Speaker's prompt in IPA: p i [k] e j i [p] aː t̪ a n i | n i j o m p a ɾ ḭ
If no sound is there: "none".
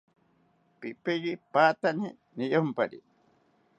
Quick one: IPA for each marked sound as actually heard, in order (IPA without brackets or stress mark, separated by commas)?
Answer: p, p